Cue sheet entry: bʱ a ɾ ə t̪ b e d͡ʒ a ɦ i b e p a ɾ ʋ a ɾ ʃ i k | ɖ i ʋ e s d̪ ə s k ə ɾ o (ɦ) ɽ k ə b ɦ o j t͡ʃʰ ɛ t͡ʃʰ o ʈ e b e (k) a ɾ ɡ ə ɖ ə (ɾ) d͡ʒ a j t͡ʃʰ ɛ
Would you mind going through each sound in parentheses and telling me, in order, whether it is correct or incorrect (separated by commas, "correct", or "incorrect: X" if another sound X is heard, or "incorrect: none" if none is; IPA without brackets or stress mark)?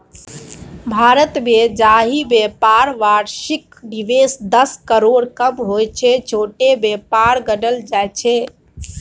incorrect: none, incorrect: p, incorrect: l